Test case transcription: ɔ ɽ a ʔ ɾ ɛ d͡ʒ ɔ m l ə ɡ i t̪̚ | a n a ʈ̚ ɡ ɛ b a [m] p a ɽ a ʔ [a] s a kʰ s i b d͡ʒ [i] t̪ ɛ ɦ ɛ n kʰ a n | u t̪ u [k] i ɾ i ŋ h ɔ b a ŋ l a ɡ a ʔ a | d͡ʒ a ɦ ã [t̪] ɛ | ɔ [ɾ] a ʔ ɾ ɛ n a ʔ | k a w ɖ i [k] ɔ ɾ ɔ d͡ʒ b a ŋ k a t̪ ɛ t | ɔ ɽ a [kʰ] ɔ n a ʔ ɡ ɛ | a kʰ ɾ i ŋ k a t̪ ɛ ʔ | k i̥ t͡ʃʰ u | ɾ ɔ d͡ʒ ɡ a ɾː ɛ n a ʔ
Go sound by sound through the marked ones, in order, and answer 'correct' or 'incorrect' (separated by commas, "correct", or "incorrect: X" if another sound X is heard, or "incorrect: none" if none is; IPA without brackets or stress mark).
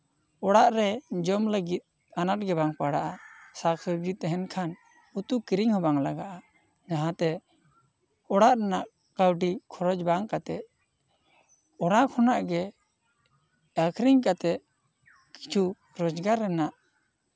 incorrect: ŋ, correct, correct, correct, correct, incorrect: ɽ, incorrect: kʰ, correct